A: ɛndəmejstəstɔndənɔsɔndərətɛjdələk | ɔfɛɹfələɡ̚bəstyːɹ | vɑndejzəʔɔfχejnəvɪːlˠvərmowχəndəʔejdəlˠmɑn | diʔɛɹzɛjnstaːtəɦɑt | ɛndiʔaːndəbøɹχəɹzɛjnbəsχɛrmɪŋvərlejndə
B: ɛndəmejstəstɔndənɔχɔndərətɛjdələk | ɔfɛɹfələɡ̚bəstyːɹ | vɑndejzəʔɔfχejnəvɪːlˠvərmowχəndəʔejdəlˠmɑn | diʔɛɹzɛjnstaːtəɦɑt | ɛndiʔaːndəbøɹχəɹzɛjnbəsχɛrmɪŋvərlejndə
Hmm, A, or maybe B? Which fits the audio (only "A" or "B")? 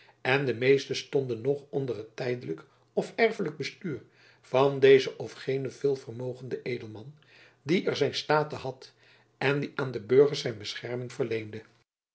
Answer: B